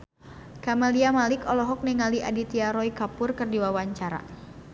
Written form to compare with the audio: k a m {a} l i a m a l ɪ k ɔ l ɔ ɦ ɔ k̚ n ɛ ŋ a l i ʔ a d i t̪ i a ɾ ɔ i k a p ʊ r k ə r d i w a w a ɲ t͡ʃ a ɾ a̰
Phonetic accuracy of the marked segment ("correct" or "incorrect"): correct